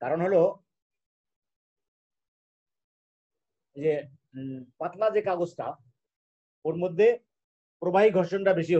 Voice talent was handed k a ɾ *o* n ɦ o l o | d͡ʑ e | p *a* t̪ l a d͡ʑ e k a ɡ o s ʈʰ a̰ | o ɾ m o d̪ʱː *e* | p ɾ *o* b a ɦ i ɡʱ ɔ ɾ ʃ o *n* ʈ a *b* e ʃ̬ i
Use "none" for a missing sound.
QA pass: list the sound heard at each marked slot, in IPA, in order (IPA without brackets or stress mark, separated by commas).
o, a, e, o, n, b